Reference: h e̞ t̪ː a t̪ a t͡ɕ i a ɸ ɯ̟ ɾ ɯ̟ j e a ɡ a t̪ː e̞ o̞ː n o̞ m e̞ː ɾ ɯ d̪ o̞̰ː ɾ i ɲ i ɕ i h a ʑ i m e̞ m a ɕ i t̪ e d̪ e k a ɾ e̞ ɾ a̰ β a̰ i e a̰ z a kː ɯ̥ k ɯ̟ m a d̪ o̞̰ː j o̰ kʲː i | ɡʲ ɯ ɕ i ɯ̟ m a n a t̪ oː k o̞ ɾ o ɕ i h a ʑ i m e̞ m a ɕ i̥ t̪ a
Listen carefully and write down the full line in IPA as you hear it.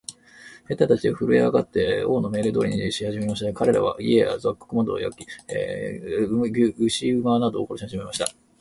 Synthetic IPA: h e̞ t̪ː a t̪ a t͡ɕ i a ɸ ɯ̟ ɾ ɯ̟ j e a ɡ a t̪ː e̞ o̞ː n o̞ m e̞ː ɾ ɯ d̪ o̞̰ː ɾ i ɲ i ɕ i h a ʑ i m e̞ m a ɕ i t̪ a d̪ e k a ɾ e̞ ɾ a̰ β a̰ i e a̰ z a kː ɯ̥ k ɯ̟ m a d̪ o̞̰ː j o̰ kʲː i | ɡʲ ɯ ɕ i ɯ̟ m a n a d̪ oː k o̞ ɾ o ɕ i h a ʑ i m e̞ m a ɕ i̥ t̪ a